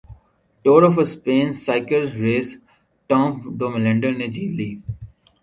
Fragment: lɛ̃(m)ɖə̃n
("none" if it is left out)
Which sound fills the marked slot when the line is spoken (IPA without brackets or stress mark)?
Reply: ɳ